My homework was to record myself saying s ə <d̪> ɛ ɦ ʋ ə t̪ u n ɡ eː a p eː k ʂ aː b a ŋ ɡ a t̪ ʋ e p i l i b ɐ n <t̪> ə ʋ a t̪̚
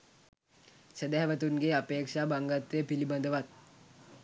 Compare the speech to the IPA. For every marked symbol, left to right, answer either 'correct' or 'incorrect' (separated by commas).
correct, incorrect